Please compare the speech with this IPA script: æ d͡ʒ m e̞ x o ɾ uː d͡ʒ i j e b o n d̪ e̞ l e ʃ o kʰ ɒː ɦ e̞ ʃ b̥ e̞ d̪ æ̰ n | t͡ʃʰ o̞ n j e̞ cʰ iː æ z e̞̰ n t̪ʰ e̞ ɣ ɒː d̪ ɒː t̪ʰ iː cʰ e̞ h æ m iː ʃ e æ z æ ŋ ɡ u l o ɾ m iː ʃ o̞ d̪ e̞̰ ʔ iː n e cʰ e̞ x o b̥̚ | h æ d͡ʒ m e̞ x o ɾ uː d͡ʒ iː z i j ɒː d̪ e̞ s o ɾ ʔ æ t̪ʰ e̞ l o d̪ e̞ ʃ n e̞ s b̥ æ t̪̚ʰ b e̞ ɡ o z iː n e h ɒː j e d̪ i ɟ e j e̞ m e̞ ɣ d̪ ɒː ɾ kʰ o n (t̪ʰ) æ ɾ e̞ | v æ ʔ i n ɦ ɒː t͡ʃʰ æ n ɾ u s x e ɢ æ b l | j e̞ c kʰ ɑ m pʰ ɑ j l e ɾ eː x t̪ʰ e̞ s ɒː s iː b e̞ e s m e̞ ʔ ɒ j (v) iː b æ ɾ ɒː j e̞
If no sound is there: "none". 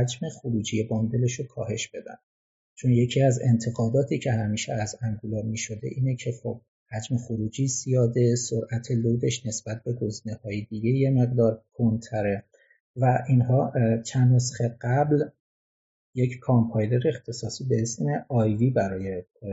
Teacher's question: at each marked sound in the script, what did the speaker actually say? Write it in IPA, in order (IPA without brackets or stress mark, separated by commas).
t̪ʰ, v